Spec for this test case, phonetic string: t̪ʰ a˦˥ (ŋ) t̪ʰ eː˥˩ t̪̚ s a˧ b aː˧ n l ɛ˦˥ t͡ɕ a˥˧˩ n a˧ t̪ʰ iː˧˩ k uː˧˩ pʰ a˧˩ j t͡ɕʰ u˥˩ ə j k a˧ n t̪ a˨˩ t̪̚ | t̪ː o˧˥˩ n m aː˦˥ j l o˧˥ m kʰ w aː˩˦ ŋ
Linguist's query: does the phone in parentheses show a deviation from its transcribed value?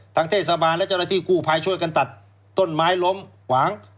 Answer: no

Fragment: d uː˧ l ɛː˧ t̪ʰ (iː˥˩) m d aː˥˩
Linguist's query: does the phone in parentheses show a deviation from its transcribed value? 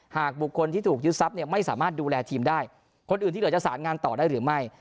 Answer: yes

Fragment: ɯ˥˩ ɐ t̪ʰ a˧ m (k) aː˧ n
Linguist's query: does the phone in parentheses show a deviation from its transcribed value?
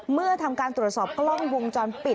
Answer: no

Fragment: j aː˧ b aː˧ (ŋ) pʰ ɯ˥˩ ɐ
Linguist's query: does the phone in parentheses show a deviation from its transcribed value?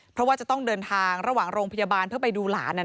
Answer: yes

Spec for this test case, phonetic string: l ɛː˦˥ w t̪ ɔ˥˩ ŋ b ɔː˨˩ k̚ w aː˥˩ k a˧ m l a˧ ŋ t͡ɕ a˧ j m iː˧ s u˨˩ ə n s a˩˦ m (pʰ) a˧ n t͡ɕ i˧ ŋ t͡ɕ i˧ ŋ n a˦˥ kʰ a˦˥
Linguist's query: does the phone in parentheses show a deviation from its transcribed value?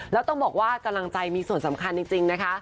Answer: yes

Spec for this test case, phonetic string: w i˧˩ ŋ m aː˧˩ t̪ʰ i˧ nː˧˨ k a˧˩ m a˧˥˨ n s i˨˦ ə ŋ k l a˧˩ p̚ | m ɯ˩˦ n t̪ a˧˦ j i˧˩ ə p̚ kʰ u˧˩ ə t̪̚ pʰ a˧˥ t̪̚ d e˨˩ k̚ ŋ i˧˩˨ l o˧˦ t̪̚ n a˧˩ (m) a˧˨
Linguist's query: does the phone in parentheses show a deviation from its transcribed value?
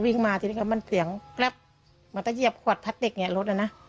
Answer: yes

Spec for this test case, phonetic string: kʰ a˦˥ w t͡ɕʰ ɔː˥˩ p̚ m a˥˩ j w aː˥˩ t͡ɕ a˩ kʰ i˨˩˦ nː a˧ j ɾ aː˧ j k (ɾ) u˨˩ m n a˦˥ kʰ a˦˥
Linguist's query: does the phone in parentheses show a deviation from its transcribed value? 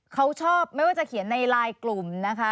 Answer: yes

